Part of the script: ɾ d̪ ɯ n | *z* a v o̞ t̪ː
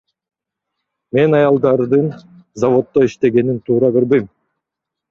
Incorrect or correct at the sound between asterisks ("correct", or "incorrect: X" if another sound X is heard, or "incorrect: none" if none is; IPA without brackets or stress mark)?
correct